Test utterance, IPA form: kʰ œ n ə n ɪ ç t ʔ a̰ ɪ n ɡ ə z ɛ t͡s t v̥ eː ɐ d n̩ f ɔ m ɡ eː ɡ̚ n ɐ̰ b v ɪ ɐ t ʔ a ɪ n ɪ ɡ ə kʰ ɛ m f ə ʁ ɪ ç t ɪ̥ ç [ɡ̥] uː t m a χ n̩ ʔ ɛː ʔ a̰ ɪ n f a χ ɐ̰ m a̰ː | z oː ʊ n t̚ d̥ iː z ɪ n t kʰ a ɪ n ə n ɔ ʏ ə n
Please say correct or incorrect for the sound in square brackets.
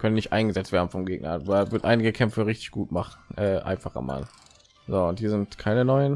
correct